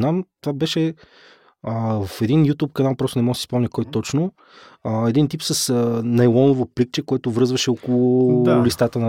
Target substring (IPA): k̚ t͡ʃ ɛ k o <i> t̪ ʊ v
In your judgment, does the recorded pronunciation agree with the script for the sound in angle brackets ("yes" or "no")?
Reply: no